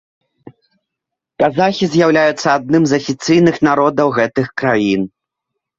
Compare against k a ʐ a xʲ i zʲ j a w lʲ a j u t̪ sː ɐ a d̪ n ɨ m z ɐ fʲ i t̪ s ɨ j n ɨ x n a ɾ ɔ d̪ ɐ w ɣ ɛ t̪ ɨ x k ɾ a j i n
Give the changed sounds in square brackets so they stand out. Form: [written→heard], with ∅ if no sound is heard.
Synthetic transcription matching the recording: k a [ʐ→z] a xʲ i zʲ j a w lʲ a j u t̪ sː ɐ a d̪ n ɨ m z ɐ fʲ i t̪ s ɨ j n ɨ x n a ɾ ɔ d̪ ɐ w ɣ ɛ t̪ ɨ x k ɾ a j i n